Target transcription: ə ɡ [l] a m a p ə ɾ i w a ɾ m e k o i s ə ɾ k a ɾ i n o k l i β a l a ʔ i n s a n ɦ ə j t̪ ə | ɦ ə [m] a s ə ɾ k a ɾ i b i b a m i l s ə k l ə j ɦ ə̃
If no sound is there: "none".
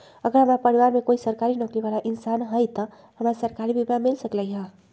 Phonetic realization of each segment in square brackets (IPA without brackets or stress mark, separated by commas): ɾ, m